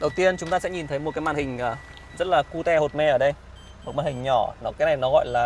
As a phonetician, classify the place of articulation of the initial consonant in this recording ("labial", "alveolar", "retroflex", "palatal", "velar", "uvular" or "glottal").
alveolar